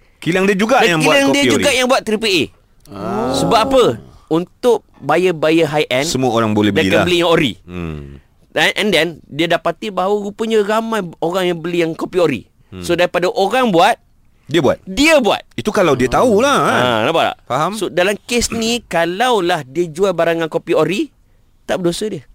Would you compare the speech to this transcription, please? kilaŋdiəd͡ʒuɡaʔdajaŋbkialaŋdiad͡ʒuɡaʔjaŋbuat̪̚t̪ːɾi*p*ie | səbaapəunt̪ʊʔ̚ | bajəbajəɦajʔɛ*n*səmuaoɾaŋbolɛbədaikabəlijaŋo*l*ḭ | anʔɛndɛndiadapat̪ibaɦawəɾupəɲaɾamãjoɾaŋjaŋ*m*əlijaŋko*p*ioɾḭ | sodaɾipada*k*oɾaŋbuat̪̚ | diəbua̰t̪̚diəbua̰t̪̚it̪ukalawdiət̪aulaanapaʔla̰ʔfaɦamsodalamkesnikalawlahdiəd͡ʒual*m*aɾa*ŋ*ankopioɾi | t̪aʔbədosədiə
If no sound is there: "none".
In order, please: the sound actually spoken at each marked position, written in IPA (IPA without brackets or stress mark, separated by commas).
p, n, ɾ, b, p, ʔ, b, ŋ